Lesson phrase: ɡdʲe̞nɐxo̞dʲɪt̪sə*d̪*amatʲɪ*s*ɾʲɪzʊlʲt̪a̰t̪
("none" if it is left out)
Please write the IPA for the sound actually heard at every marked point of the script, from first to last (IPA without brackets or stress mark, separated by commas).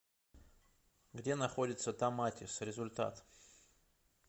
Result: t̪, s